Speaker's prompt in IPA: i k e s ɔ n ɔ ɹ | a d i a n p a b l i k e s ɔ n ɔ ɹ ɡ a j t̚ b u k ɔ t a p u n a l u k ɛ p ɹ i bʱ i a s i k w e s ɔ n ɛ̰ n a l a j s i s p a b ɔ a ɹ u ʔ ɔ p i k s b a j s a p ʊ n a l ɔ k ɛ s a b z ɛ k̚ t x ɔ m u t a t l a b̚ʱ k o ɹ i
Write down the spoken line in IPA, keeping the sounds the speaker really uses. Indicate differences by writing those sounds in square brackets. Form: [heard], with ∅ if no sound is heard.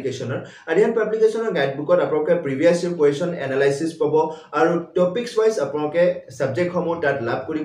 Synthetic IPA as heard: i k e s ɔ n ɔ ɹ | a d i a n p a b l i k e s ɔ n ɔ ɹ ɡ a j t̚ b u k ɔ t a p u n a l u k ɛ p ɹ i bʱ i a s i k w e s ɔ n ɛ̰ n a l a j s i s p a b ɔ a ɹ u [t] ɔ p i k s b a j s a p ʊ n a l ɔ k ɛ s a b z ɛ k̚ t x ɔ m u t a t l a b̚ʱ k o ɹ i